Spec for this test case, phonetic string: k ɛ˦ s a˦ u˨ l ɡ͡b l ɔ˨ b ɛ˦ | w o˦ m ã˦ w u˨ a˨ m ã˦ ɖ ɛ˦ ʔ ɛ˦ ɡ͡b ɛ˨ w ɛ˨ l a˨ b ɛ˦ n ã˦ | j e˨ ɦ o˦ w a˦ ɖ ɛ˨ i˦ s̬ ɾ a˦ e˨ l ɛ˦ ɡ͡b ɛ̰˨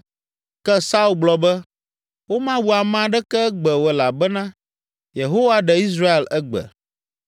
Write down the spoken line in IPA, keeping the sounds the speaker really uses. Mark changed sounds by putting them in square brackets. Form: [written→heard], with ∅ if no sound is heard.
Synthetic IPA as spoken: k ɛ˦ s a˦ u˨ l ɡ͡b l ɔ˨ b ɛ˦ | w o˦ m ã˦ w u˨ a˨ m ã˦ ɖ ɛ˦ [ʔ→k] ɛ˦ ɡ͡b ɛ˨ w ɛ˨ l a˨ b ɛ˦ n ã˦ | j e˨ ɦ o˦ w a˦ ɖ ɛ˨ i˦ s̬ ɾ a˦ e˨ l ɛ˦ ɡ͡b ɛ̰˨